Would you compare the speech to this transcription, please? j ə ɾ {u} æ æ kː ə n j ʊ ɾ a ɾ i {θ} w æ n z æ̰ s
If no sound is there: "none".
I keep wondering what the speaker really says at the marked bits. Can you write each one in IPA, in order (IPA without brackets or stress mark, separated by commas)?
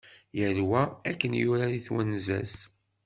w, θ